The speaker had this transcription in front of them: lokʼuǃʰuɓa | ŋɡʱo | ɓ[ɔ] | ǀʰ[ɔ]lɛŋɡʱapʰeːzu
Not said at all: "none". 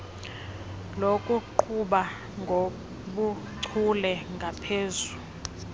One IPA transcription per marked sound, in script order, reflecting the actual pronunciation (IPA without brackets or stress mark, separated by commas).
u, u